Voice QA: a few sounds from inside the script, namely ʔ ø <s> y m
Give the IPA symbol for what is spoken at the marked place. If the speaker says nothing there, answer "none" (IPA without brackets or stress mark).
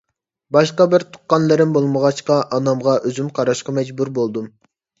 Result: z